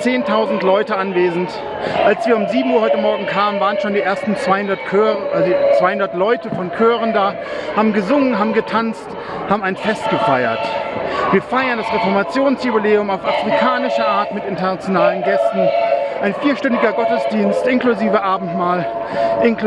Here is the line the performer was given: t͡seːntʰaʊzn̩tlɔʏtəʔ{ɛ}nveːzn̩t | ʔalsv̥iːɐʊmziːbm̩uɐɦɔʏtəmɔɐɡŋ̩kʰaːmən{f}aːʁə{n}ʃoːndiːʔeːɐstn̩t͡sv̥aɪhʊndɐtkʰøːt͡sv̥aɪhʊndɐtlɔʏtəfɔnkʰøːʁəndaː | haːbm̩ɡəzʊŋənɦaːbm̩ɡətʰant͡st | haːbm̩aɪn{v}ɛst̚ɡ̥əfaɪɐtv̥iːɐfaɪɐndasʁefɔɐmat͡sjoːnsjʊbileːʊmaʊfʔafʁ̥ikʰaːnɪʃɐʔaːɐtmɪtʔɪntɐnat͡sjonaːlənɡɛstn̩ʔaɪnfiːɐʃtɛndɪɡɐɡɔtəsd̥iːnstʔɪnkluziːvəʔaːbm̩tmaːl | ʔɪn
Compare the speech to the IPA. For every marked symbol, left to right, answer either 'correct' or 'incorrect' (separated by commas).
incorrect, incorrect, correct, incorrect